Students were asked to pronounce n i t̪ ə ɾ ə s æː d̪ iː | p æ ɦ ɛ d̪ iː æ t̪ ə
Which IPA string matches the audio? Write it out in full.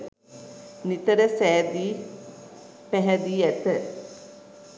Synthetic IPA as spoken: n i t̪ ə ɾ ə s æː d̪ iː | p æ ɦ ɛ d̪ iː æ t̪ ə